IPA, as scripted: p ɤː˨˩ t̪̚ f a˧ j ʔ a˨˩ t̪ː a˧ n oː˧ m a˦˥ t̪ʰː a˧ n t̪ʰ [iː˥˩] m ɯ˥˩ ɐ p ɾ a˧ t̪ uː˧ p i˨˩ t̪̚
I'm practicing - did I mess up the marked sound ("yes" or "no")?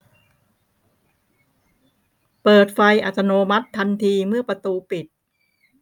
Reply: yes